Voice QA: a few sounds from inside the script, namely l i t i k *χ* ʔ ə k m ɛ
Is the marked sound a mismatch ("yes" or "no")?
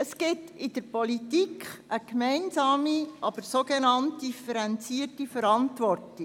no